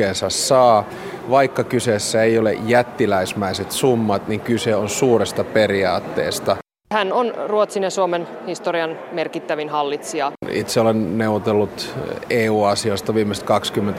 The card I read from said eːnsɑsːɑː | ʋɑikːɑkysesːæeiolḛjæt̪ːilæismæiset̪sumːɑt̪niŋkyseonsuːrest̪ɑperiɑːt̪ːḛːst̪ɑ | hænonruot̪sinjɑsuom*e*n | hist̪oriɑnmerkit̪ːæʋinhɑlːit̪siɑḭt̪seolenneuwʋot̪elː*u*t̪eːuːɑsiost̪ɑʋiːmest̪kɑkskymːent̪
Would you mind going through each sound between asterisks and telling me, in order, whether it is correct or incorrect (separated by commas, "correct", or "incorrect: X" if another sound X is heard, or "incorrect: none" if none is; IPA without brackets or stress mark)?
correct, correct